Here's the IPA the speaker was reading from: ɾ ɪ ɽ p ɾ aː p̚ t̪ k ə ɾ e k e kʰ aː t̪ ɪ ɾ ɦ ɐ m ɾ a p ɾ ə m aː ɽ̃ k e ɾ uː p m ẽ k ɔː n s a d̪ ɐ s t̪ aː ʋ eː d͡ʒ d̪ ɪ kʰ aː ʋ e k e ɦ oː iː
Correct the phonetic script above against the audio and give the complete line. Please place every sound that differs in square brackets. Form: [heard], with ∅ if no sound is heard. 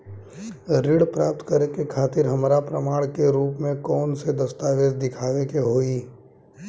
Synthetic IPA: ɾ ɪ ɽ p ɾ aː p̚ t̪ k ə ɾ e k e kʰ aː t̪ ɪ ɾ ɦ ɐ m ɾ a p ɾ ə m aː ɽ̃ k e ɾ uː p m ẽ k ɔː n s [e] d̪ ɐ s t̪ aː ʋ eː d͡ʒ d̪ ɪ kʰ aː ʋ e k e ɦ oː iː

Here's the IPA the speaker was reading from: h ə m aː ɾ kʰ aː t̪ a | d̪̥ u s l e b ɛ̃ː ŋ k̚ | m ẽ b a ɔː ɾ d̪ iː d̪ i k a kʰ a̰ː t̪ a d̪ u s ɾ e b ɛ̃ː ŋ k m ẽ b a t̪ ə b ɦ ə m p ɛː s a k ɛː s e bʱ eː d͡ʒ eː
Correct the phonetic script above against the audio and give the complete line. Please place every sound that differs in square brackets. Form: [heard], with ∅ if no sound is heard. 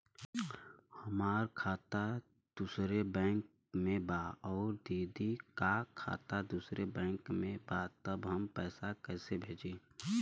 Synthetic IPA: h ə m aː ɾ kʰ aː t̪ a | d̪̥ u s [ɾ] e b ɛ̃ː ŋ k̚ | m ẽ b a ɔː ɾ d̪ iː d̪ i k a kʰ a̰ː t̪ a d̪ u s ɾ e b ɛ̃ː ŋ k m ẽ b a t̪ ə b ɦ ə m p ɛː s a k ɛː s e bʱ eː d͡ʒ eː

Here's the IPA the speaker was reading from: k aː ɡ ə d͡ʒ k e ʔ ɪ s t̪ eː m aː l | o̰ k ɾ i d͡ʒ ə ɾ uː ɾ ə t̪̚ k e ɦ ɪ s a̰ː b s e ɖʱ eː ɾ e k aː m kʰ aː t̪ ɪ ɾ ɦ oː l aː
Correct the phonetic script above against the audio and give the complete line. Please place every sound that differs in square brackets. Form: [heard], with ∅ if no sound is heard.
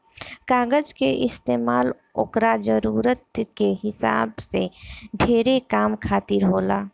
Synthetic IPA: k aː ɡ ə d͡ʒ k e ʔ ɪ s t̪ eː m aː l | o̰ k ɾ [a] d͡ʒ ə ɾ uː ɾ ə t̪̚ k e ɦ ɪ s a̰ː b s e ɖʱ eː ɾ e k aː m kʰ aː t̪ ɪ ɾ ɦ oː l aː

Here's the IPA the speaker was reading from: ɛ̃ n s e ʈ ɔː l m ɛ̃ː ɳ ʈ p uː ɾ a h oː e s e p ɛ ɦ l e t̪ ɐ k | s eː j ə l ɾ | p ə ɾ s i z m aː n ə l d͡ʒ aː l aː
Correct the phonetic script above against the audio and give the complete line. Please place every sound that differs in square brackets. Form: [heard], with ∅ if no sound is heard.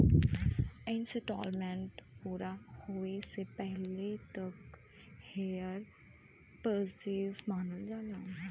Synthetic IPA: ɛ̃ n s e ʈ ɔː l m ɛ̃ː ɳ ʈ p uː ɾ a h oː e s e p ɛ ɦ l e t̪ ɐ k | [h] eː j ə [∅] ɾ | p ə ɾ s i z m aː n ə l d͡ʒ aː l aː

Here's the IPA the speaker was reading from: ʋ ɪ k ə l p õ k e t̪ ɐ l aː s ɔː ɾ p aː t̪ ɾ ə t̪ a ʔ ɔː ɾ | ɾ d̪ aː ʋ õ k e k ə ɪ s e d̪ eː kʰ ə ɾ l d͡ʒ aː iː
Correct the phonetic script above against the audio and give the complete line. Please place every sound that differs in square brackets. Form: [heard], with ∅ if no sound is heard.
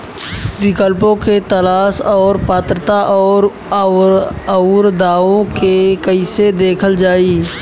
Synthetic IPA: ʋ ɪ k ə l p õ k e t̪ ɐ l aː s ɔː ɾ p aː t̪ ɾ ə t̪ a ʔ ɔː ɾ | ɾ d̪ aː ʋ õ k e k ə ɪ s e d̪ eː kʰ ə [∅] l d͡ʒ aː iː

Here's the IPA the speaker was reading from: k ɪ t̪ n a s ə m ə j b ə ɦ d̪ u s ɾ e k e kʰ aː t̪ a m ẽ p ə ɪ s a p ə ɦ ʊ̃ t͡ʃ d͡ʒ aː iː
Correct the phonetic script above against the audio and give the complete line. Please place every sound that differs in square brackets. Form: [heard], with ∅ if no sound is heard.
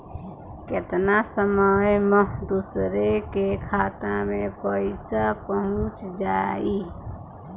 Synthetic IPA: k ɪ t̪ n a s ə m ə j [m] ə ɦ d̪ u s ɾ e k e kʰ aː t̪ a m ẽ p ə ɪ s a p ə ɦ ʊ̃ t͡ʃ d͡ʒ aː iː

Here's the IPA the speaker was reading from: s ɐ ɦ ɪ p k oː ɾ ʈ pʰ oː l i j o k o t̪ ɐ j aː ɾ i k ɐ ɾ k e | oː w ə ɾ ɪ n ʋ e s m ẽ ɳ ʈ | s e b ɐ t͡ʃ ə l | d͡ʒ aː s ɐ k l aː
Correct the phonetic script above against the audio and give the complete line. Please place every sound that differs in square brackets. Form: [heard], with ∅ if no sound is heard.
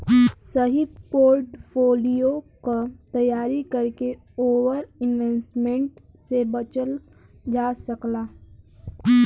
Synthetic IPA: s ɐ ɦ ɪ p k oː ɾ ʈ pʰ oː l i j o k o t̪ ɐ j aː ɾ i k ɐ ɾ k e | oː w ə ɾ ɪ n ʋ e s m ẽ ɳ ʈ | s e b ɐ t͡ʃ ə l | d͡ʒ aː s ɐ k l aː

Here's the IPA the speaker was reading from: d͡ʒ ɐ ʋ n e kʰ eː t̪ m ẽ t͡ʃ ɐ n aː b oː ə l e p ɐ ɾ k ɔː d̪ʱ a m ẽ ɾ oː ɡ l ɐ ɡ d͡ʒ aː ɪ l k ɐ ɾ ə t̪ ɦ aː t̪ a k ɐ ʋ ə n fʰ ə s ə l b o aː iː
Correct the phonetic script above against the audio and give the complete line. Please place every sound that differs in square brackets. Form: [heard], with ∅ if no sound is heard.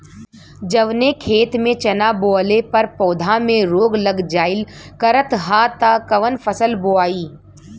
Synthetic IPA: d͡ʒ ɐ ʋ n e kʰ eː t̪ m ẽ t͡ʃ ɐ n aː b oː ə l e p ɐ ɾ [p] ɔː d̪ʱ a m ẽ ɾ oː ɡ l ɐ ɡ d͡ʒ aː ɪ l k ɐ ɾ ə t̪ ɦ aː t̪ a k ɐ ʋ ə n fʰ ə s ə l b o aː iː

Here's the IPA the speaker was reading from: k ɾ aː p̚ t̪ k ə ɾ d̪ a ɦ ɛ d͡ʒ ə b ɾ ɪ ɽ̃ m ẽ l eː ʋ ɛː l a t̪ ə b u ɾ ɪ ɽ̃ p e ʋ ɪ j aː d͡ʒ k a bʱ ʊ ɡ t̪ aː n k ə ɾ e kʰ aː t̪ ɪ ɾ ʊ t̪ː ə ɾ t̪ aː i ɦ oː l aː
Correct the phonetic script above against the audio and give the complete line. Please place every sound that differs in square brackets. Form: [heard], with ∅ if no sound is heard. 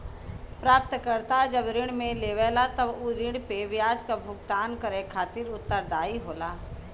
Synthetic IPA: [p] ɾ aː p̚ t̪ k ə ɾ [t̪] a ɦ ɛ d͡ʒ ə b ɾ ɪ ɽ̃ m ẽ l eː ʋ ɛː l a t̪ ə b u ɾ ɪ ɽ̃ p e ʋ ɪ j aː d͡ʒ k a bʱ ʊ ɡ t̪ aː n k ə ɾ e kʰ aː t̪ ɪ ɾ ʊ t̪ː ə ɾ [d̪] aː i ɦ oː l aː

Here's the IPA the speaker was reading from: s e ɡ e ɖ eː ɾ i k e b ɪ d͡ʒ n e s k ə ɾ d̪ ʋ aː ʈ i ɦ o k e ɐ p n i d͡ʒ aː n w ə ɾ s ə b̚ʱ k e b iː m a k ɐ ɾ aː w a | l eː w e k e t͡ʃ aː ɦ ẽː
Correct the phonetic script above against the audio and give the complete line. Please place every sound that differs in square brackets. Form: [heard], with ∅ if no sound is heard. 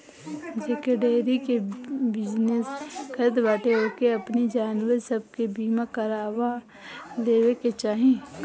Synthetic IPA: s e [k] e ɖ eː ɾ i k e b ɪ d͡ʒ n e s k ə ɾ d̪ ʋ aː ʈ [e] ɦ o k e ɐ p n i d͡ʒ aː n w ə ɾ s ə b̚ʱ k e b iː m a k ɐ ɾ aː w a | l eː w e k e t͡ʃ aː ɦ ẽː

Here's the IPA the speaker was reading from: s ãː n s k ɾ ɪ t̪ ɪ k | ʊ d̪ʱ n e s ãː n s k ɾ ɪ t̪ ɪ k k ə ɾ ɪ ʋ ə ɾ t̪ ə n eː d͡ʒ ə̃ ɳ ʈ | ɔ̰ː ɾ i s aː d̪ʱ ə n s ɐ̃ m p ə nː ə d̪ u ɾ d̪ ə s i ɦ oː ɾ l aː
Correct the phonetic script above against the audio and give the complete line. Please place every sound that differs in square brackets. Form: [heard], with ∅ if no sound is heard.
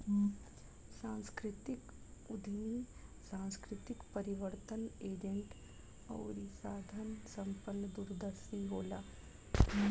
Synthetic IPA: s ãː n s k ɾ ɪ t̪ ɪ k | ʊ d̪ʱ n [i] s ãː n s k ɾ ɪ t̪ ɪ k [p] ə ɾ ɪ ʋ ə ɾ t̪ ə n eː d͡ʒ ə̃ ɳ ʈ | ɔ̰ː ɾ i s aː d̪ʱ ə n s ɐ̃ m p ə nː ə d̪ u ɾ d̪ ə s i ɦ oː [∅] l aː

